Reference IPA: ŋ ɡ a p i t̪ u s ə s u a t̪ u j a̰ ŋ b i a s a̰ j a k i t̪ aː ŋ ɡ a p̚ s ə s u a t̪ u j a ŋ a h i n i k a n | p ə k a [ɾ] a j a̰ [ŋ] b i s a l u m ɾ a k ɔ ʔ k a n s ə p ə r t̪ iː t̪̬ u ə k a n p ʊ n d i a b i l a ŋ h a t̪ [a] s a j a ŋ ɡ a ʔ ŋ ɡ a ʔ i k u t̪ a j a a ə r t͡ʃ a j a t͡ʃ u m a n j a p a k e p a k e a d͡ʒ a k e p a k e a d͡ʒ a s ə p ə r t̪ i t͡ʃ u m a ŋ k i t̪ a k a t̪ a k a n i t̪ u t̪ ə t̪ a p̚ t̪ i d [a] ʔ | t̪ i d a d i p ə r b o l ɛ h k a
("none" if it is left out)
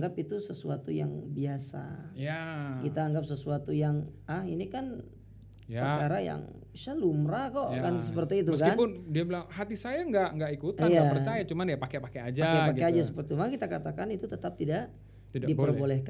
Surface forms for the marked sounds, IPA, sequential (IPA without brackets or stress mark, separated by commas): ɾ, ŋ, i, a